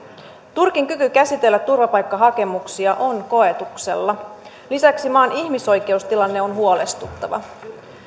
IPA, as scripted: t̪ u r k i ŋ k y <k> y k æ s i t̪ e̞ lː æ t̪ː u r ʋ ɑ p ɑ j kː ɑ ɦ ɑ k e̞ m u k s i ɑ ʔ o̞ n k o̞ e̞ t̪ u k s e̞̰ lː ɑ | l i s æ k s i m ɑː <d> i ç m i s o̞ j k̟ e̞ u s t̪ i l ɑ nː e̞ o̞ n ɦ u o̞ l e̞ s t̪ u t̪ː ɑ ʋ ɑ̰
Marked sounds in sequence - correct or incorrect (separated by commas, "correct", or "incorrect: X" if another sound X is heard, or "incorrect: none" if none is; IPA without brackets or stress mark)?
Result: correct, incorrect: n